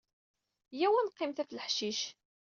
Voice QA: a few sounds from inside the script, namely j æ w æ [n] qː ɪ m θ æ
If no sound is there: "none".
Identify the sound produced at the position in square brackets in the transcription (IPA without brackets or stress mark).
n